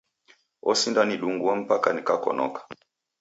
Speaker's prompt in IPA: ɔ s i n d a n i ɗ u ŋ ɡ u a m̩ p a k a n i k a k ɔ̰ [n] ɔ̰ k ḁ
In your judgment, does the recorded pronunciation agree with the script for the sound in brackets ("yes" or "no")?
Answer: yes